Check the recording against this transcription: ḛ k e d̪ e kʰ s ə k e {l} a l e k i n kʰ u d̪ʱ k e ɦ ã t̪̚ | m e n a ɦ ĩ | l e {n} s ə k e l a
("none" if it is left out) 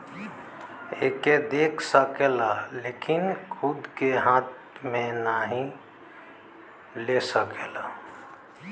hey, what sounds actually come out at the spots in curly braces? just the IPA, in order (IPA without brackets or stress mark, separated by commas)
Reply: l, none